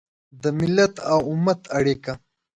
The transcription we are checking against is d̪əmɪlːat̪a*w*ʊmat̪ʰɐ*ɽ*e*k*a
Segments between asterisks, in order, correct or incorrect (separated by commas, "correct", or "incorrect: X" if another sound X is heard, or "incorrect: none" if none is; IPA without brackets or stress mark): correct, correct, correct